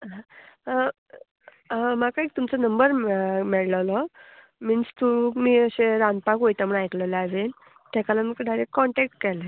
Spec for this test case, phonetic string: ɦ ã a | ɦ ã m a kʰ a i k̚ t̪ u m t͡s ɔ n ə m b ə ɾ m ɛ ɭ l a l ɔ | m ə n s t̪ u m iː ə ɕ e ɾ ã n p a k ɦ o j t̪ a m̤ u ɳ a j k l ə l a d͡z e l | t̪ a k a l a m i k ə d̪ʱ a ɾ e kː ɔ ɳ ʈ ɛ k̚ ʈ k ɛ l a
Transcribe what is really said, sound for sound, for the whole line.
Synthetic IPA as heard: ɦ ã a | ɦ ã m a k a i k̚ t̪ u m t͡s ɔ n ə m b ə ɾ m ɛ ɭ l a l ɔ | m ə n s t̪ u m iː ə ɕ e ɾ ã n p a k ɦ o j t̪ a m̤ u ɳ a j k l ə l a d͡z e l | t̪ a k a l a m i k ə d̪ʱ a ɾ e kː ɔ ɳ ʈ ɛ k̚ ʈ k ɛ l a

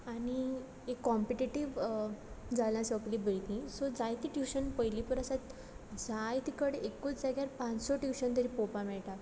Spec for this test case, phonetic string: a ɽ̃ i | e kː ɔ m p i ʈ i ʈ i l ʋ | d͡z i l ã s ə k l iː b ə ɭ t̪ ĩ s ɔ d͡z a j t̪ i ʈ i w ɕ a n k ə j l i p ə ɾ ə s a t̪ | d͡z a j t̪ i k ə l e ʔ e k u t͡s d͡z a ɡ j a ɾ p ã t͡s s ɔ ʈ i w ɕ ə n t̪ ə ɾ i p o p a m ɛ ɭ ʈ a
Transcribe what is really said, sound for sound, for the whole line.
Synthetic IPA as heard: a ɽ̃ i | e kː ɔ m p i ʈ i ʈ i ʋ | d͡z a l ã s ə k l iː b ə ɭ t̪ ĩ s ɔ d͡z a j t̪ i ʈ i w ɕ ə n p ə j l i p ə ɾ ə s a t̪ | d͡z a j t̪ i k ə ɽ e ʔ e k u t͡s d͡z a ɡ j a ɾ p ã t͡s s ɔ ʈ i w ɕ ə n t̪ ə ɾ i p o p a m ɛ ɭ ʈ a

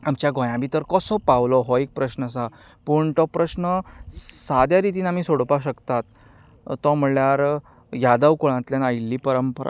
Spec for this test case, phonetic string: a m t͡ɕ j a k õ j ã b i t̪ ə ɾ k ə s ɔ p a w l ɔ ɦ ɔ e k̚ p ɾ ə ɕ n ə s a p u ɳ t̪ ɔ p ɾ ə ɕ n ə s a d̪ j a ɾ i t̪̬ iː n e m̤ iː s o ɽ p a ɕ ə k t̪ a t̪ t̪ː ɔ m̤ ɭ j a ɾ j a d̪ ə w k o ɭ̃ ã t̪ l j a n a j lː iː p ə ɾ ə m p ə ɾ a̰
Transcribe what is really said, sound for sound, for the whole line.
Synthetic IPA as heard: a m t͡ɕ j a ɡ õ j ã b i t̪ ə ɾ k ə s ɔ p a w l ɔ ɦ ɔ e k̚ p ɾ ə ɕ n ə s a p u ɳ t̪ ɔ p ɾ ə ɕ n ə s a d̪ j a ɾ i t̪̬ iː n a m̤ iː s o ɽ p a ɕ ə k t̪ a t̪ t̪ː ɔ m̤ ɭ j a ɾ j a d̪ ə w k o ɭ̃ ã t̪ l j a n a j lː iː p ə ɾ ə m p ə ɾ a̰

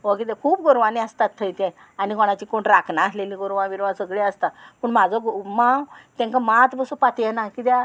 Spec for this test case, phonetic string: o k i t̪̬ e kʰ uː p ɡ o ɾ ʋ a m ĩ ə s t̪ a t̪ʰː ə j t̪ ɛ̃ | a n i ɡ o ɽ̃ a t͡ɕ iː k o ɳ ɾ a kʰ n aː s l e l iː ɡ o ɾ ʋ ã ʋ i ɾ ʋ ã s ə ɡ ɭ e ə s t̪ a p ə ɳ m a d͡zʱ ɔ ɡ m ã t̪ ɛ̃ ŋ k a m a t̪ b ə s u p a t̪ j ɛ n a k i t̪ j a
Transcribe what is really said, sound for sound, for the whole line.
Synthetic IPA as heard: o k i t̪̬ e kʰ uː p ɡ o ɾ ʋ a n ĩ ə s t̪ a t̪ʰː ə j t̪ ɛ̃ | a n i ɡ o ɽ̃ a t͡ɕ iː k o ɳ ɾ a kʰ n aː s l e l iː ɡ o ɾ ʋ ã ʋ i ɾ ʋ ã s ə ɡ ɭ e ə s t̪ a p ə ɳ m a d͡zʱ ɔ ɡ m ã t̪ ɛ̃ ŋ k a m a t̪ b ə s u p a t̪ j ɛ n a k i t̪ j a

